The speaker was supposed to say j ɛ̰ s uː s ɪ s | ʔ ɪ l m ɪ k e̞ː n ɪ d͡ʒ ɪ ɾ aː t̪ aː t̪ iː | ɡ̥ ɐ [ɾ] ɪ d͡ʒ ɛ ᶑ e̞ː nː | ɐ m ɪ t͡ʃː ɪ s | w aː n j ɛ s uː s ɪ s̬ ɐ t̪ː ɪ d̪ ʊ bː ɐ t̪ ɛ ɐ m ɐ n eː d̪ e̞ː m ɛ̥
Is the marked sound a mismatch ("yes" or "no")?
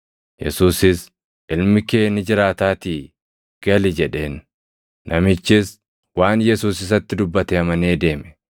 yes